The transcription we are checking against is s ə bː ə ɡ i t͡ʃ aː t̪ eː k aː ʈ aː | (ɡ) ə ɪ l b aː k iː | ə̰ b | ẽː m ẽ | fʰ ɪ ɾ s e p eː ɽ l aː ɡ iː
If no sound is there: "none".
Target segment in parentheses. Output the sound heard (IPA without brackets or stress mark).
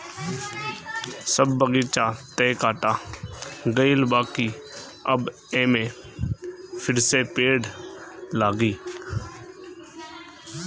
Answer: ɡ